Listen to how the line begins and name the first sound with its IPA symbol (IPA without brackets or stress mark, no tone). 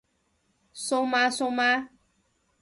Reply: s